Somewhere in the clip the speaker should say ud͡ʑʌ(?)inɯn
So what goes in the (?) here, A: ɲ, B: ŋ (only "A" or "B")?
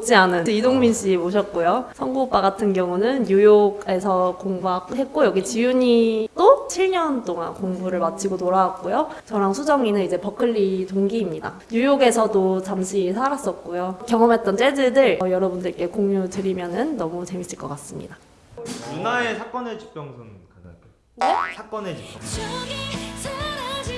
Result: B